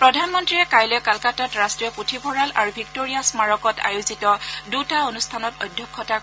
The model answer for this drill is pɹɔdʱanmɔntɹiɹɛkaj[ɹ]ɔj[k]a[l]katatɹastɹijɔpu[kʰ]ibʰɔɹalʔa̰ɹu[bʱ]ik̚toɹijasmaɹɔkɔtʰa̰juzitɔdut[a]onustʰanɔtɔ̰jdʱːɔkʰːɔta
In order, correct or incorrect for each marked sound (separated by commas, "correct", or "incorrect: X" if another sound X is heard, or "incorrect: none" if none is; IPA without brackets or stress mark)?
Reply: incorrect: l, correct, correct, incorrect: tʰ, correct, correct